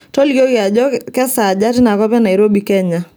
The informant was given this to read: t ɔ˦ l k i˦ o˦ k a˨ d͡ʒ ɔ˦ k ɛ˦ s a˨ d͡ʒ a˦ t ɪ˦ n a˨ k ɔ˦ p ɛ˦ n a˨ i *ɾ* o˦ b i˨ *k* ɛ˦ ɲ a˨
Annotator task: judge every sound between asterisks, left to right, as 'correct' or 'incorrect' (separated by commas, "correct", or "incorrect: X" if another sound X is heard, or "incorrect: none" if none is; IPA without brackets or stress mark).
correct, correct